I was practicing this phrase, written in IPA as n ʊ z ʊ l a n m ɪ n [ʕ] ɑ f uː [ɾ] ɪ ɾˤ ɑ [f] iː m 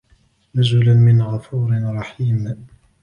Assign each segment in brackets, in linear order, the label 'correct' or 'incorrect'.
incorrect, correct, incorrect

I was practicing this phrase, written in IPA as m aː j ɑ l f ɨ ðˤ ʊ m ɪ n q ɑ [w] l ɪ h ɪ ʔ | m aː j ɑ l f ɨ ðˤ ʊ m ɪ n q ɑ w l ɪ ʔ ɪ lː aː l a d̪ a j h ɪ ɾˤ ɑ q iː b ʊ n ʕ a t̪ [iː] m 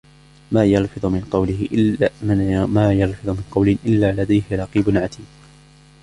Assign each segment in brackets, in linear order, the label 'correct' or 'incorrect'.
correct, correct

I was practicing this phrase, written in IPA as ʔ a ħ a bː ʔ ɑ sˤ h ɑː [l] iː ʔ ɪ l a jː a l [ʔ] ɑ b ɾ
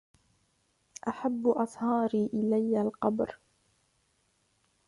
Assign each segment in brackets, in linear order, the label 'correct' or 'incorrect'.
incorrect, incorrect

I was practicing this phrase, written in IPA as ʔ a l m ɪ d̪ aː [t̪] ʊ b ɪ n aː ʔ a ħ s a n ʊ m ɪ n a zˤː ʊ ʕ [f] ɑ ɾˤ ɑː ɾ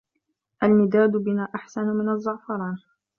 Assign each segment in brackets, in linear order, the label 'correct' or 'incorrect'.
incorrect, correct

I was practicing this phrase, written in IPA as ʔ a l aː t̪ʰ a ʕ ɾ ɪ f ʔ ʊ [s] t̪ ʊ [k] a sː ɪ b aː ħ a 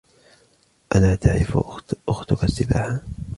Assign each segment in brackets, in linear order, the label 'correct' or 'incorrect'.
incorrect, correct

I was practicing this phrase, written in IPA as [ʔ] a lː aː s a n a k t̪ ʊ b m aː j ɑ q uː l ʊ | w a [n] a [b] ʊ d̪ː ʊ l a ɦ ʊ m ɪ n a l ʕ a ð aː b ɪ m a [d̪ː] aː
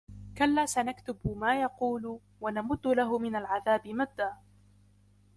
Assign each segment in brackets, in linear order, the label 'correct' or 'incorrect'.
incorrect, correct, incorrect, correct

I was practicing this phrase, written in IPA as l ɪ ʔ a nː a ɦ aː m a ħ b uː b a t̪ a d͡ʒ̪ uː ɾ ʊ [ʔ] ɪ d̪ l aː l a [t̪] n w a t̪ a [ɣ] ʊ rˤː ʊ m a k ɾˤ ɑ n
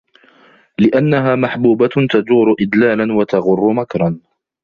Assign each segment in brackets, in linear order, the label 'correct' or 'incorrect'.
correct, incorrect, correct

